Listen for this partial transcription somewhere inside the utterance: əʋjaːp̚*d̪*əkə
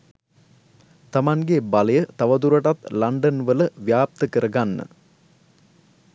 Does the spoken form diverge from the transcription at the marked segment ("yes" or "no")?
yes